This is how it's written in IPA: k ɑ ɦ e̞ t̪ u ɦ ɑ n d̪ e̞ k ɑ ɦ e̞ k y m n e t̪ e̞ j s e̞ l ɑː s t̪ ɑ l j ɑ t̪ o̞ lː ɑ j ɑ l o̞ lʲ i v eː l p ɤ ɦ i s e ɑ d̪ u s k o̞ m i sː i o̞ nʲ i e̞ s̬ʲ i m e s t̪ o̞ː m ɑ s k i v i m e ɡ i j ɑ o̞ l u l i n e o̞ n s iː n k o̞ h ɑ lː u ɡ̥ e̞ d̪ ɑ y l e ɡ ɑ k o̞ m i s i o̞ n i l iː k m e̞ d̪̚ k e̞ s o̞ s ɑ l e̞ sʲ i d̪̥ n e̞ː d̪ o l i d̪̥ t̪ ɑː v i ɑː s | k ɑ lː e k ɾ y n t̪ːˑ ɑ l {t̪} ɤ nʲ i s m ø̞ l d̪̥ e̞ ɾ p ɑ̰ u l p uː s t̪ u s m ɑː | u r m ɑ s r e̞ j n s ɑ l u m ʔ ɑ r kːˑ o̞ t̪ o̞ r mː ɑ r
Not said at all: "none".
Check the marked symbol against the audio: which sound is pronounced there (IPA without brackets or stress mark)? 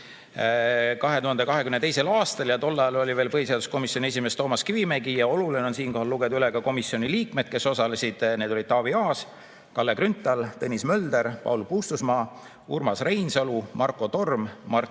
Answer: t̪